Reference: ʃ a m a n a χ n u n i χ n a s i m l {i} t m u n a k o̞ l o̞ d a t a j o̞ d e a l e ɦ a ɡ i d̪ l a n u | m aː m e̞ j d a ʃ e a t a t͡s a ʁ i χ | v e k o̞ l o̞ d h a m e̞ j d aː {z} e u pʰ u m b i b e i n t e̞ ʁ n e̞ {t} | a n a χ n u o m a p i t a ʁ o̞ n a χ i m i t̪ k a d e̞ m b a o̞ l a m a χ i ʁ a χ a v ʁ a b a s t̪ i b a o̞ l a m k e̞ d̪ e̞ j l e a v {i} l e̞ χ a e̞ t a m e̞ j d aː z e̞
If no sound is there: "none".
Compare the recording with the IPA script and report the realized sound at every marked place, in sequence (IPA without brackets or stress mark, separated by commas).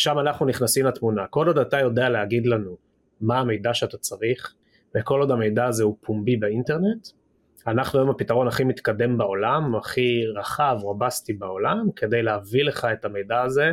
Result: a, z, t, i